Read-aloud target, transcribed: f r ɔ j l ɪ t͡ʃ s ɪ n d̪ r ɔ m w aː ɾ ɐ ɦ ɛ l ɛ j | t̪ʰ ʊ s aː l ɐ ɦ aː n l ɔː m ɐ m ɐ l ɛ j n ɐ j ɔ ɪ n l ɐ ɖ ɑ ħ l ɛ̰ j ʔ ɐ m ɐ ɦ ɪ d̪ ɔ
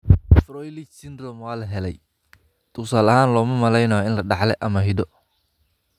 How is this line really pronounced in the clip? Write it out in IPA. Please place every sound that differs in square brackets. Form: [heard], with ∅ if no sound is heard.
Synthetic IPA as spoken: f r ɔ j l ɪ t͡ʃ s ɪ n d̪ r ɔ m w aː [l] ɐ ɦ ɛ l ɛ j | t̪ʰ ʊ s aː l ɐ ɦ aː n l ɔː m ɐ m ɐ l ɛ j n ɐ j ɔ ɪ n l ɐ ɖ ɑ ħ l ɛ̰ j ʔ ɐ m ɐ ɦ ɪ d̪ ɔ